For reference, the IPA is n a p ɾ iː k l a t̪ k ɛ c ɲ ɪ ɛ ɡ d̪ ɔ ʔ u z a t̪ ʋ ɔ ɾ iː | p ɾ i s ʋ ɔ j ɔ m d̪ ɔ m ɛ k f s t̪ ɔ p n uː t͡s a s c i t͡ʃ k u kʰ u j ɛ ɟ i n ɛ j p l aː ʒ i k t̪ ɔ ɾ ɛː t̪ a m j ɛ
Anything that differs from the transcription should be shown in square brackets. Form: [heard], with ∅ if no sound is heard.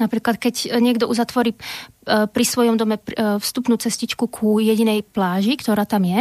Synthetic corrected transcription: n a p ɾ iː k l a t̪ k ɛ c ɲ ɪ ɛ ɡ d̪ ɔ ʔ u z a t̪ ʋ ɔ ɾ iː | p ɾ i s ʋ ɔ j ɔ m d̪ ɔ m ɛ [∅] f s t̪ [u] p n uː t͡s [ɛ] s c i t͡ʃ k u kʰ u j ɛ ɟ i n ɛ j p l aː ʒ i k t̪ ɔ ɾ [aː] t̪ a m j ɛ